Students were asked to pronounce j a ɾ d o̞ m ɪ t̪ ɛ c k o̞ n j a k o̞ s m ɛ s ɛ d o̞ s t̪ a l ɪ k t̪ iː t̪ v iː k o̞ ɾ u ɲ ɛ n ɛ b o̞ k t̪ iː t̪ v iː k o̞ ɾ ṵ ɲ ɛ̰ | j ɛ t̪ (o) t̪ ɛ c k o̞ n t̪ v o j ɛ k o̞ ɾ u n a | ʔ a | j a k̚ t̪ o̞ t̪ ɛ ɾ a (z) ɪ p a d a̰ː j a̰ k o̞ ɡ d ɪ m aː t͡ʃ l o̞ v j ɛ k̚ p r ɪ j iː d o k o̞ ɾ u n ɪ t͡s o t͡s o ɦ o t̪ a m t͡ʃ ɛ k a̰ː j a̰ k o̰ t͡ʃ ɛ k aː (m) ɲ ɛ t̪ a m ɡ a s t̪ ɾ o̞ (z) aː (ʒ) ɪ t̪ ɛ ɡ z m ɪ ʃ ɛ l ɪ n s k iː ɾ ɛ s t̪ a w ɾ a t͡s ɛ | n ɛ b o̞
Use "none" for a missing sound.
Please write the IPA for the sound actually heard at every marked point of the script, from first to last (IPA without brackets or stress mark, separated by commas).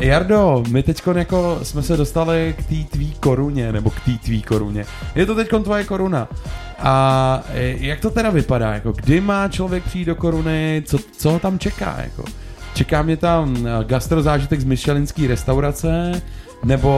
o, v, m, z, ʒ